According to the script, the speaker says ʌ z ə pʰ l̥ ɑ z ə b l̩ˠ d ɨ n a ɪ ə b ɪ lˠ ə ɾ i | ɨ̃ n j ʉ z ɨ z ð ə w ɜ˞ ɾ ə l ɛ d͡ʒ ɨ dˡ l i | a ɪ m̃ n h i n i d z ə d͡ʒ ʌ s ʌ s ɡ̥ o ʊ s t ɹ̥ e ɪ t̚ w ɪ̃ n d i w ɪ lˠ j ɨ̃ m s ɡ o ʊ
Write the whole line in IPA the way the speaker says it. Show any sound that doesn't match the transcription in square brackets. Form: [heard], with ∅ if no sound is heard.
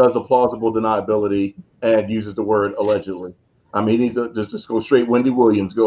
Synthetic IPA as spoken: ʌ z ə pʰ l̥ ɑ z ə b l̩ˠ d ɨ n a ɪ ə b ɪ lˠ ə ɾ i | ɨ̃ n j ʉ z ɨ z ð ə w ɜ˞ ɾ ə l ɛ d͡ʒ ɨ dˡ l i | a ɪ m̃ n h i n i d z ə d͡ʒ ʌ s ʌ s ɡ̥ o ʊ s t ɹ̥ e ɪ t̚ w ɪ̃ n d i w ɪ lˠ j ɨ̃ m [z] ɡ o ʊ